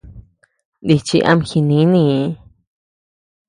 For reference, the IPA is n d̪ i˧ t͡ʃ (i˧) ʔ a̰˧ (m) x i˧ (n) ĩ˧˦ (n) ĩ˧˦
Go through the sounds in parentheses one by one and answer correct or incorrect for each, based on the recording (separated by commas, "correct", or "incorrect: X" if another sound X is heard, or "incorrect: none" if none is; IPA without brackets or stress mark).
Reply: correct, correct, correct, correct